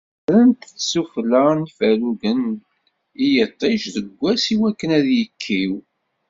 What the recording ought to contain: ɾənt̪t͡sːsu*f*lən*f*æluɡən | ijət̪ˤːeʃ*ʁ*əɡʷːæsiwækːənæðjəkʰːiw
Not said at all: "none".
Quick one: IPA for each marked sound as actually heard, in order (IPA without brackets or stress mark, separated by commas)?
f, f, ð